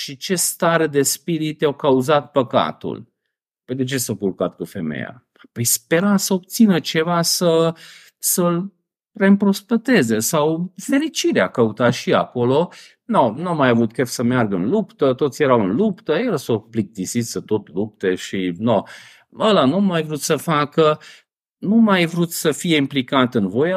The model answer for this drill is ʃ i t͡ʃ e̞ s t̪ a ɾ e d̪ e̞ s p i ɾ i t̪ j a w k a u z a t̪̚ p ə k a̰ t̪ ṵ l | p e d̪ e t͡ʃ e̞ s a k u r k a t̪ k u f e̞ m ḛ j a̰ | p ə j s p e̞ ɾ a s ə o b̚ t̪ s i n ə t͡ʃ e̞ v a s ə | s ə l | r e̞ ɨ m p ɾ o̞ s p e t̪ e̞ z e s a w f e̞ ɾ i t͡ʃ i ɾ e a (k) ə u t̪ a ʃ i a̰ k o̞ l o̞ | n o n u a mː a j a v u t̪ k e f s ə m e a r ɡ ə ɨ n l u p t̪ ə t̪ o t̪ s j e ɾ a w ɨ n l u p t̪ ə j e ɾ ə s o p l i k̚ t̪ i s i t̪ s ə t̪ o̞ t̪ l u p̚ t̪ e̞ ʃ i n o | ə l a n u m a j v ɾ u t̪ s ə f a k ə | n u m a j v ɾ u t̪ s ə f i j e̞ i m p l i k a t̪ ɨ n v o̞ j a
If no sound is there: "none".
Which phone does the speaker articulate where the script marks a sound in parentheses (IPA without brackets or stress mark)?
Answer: k